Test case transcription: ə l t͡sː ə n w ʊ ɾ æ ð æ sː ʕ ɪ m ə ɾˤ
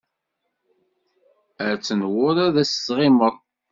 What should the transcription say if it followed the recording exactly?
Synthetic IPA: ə ɾ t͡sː ə n w ʊ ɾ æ ð æ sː ʁ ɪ m ə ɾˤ

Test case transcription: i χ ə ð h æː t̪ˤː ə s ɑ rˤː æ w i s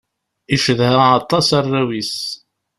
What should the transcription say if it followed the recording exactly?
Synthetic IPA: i ʃ ə ð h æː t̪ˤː ɑ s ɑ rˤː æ w i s

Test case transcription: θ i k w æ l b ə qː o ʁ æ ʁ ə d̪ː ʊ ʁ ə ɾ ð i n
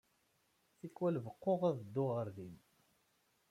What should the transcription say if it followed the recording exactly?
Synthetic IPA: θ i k w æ l v ə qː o ʁ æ ð ə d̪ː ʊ ʁ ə ɾ ð i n

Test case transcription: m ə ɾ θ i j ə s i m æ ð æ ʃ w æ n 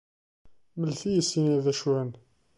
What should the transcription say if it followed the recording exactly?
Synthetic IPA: m ə l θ i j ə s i n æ ð æ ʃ w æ n

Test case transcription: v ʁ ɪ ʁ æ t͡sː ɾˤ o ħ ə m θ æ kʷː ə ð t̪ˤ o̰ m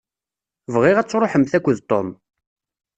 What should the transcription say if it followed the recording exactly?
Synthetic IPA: v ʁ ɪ ʁ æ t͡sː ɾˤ o ħ ə m θ æ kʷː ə ð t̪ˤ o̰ m

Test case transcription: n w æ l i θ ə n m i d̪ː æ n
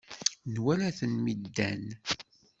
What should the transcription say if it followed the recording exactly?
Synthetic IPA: n w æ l æ θ ə n m i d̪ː æ n

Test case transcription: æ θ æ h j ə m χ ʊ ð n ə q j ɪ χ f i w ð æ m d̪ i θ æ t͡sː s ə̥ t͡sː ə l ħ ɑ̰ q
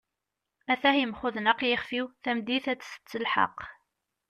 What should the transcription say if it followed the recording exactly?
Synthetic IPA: æ θ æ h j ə m χ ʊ ð n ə q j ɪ χ f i w θ æ m d̪ i θ æ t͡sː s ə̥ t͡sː ə l ħ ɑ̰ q

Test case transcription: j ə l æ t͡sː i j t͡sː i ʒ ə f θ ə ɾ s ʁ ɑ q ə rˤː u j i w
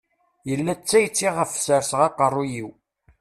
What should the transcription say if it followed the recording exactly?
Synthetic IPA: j ə lː æ t͡sː æ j t͡sː i ʁ ə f s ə ɾ s ʁ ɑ q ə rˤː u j i w

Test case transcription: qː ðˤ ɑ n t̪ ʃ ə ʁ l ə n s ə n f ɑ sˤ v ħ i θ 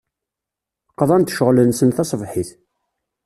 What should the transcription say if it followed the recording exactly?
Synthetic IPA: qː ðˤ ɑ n t̪ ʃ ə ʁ l ə n s ə n θ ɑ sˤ v ħ i θ

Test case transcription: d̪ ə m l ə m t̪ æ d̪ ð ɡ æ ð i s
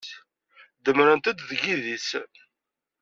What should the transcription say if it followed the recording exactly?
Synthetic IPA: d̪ ə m ɾ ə n t̪ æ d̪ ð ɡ i ð i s

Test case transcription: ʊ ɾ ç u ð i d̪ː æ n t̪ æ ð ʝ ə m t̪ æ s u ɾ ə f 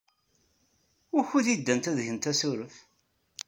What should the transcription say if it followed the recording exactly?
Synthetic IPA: ʊ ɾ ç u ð i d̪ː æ n t̪ æ ð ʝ ə n t̪ æ s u ɾ ə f

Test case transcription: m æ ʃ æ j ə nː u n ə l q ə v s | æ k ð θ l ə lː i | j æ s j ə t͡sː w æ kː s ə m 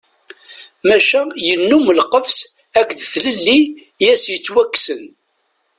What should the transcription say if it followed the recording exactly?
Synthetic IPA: m æ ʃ æ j ə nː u m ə l q ə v s | æ k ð θ l ə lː i | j æ s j ə t͡sː w æ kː s ə n

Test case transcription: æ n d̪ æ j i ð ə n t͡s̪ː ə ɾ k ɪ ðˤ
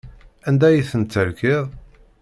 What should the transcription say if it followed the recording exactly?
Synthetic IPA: æ n d̪ æ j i θ ə n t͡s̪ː ə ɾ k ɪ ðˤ

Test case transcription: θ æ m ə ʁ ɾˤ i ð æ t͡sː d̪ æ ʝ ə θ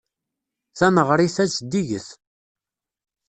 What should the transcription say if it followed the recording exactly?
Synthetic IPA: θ æ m ə ʁ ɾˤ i θ æ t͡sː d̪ i ʝ ə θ

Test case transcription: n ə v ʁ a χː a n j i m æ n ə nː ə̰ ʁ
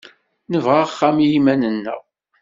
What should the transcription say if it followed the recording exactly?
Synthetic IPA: n ə v ʁ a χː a m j i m æ n ə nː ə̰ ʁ

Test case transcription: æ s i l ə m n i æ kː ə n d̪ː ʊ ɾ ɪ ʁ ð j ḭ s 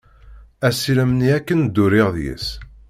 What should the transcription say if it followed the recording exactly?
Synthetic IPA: æ s i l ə m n i æ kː ə n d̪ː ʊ ɾ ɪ ʁ ð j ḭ s

